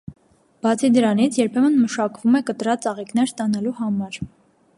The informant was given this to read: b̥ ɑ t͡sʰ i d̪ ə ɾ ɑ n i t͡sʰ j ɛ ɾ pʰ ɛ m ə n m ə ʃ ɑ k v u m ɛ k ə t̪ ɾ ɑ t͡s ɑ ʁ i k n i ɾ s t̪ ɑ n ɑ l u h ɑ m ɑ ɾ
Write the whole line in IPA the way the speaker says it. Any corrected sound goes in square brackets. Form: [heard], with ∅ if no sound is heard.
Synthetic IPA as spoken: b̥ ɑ t͡sʰ i d̪ ə ɾ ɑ n i t͡sʰ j ɛ ɾ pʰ ɛ m ə n m ə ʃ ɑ k v u m ɛ k ə t̪ ɾ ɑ t͡s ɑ ʁ i k n [ɛ] ɾ s t̪ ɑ n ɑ l u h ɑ m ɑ ɾ